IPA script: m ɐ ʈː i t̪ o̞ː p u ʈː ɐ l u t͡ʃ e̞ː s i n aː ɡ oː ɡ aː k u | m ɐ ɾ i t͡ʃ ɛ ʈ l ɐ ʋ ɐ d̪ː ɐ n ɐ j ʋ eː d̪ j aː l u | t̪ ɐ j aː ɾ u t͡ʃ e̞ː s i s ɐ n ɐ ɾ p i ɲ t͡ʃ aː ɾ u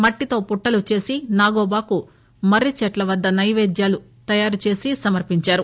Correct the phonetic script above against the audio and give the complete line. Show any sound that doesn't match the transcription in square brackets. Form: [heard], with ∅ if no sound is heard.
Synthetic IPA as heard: m ɐ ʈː i t̪ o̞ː p u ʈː ɐ l u t͡ʃ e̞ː s i n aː ɡ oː [b] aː k u | m ɐ ɾ i t͡ʃ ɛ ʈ l ɐ ʋ ɐ d̪ː ɐ n ɐ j ʋ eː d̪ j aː l u | t̪ ɐ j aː ɾ u t͡ʃ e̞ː s i s ɐ [m] ɐ ɾ p i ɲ t͡ʃ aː ɾ u